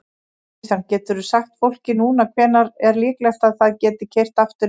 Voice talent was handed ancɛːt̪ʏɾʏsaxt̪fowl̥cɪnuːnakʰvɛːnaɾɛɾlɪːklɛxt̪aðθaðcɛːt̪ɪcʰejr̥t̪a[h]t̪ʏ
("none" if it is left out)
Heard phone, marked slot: f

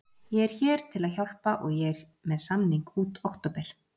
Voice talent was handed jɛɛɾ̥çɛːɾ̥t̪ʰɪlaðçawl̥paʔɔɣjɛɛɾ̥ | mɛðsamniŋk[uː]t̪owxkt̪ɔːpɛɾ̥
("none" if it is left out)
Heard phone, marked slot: uː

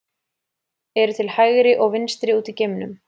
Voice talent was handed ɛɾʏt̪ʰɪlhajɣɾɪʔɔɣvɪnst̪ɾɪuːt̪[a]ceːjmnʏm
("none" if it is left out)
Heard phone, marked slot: i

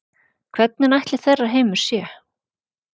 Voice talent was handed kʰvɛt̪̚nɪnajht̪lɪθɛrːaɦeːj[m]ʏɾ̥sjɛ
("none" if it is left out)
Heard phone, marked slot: m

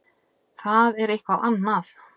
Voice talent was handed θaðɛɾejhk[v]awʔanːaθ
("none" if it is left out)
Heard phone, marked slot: v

